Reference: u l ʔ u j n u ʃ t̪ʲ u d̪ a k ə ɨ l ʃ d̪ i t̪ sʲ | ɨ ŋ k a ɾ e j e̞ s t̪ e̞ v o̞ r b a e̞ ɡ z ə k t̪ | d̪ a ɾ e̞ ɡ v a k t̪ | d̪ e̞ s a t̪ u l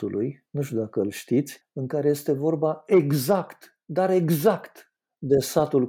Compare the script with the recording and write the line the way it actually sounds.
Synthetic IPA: u l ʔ u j n u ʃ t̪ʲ u d̪ a k ə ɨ l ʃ t̪ i t̪ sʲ | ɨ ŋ k a ɾ e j e̞ s t̪ e̞ v o̞ r b a e̞ ɡ z a k t̪ | d̪ a ɾ e̞ ɡ z a k t̪ | d̪ e̞ s a t̪ u l